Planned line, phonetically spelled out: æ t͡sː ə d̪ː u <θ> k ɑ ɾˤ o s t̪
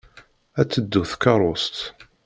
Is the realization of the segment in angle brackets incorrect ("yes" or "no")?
no